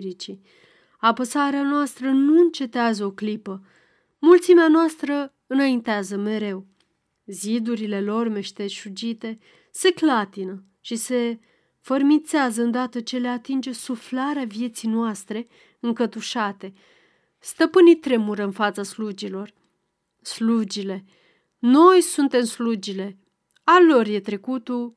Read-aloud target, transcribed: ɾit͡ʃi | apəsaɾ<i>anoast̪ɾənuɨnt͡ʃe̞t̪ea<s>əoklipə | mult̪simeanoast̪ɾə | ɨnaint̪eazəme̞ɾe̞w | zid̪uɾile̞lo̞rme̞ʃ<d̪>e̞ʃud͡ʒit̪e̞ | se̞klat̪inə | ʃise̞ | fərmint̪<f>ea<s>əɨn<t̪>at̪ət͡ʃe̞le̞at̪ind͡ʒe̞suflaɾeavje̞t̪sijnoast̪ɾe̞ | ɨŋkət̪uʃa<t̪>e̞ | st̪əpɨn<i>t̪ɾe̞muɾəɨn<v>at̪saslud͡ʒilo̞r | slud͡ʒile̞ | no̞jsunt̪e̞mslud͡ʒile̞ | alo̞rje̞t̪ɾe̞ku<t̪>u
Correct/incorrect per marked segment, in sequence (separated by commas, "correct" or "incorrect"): incorrect, incorrect, incorrect, incorrect, incorrect, incorrect, correct, correct, incorrect, correct